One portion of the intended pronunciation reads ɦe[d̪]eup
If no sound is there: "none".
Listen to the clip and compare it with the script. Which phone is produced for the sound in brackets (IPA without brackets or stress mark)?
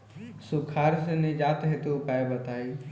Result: t̪